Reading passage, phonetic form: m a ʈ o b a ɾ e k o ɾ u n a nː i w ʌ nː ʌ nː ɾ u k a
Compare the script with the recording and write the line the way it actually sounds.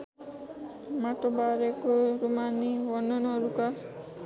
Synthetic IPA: m a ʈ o b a ɾ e k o ɾ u m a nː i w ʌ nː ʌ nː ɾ u k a